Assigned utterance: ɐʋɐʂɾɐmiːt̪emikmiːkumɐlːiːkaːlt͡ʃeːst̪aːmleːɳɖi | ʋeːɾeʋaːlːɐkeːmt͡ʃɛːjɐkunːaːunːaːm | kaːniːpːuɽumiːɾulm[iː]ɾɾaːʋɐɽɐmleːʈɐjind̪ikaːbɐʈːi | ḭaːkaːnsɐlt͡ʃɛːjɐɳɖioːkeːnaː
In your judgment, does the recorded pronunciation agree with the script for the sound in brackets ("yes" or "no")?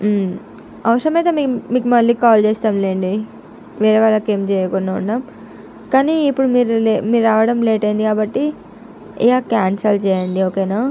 yes